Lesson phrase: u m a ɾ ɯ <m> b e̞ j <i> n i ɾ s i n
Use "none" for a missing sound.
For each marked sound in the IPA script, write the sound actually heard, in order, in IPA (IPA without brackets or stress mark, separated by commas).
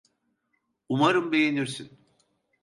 m, e